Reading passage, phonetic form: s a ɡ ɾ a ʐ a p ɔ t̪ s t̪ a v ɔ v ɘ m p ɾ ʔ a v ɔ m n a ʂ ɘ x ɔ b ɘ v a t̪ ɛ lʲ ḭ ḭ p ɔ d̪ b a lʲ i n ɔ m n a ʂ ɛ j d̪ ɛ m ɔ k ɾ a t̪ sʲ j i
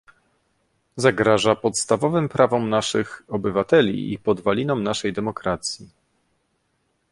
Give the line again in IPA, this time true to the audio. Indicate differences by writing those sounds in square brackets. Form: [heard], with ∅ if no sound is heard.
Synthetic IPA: [z] a ɡ ɾ a ʐ a p ɔ t̪ s t̪ a v ɔ v ɘ m p ɾ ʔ a v ɔ m n a ʂ ɘ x ɔ b ɘ v a t̪ ɛ lʲ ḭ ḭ p ɔ d̪ [v] a lʲ i n ɔ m n a ʂ ɛ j d̪ ɛ m ɔ k ɾ a t̪ sʲ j i